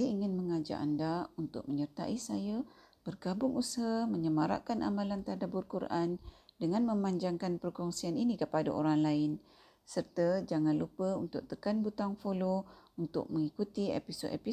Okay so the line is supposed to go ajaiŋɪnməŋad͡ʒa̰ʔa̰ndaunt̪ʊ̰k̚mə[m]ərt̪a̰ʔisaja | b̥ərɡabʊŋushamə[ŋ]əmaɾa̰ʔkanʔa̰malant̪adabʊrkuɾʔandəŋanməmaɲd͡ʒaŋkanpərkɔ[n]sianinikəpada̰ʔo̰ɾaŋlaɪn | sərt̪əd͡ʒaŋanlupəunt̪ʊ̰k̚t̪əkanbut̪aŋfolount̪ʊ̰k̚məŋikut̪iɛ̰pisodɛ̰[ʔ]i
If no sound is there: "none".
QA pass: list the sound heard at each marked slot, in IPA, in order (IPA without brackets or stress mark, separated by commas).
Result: ɲ, ɲ, ŋ, p